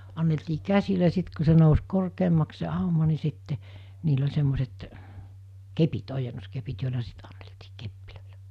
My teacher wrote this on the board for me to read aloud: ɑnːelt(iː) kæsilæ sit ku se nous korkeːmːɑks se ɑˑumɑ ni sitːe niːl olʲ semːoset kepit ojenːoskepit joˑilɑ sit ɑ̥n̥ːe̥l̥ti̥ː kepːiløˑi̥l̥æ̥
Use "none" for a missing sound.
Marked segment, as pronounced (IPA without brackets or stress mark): iː